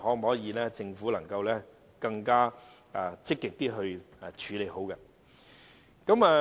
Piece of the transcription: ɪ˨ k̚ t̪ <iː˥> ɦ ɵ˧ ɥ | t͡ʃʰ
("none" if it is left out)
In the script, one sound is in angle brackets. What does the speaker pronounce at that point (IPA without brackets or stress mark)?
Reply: iː˥